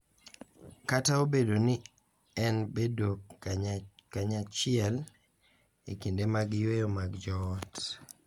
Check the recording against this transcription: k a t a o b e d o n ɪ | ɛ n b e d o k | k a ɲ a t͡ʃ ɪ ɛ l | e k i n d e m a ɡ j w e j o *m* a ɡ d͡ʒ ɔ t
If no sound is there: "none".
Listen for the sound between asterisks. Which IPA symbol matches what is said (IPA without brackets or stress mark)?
m